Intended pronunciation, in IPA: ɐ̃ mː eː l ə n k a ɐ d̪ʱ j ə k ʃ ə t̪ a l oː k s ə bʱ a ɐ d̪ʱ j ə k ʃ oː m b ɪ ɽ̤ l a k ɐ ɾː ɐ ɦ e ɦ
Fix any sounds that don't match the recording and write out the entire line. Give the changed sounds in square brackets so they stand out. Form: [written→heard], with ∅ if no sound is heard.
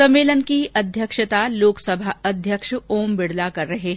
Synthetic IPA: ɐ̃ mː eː l ə n k [a→i] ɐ d̪ʱ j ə k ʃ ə t̪ a l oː k s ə bʱ a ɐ d̪ʱ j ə k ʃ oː m b ɪ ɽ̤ l a k ɐ ɾː ɐ ɦ e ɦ